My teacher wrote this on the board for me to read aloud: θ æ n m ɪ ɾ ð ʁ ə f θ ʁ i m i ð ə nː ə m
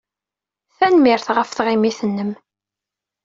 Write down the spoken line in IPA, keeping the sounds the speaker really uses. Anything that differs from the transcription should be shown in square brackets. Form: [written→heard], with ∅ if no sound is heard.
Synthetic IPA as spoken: θ æ n m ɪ ɾ [ð→θ] ʁ ə f θ ʁ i m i [ð→θ] ə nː ə m